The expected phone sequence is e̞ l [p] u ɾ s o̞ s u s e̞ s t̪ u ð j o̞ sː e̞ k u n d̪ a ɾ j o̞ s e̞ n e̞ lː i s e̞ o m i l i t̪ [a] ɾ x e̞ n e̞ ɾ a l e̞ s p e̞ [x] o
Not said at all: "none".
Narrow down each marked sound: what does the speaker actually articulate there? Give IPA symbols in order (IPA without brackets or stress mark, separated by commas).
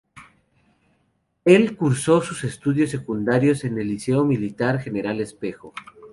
k, a, x